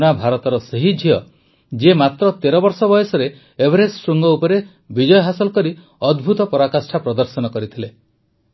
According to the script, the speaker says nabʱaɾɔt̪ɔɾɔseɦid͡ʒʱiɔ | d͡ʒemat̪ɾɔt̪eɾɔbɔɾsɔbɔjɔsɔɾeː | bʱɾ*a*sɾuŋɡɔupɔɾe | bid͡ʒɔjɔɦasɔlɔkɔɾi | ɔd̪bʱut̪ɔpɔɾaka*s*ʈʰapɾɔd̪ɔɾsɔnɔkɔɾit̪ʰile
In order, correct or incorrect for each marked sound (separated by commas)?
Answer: incorrect, correct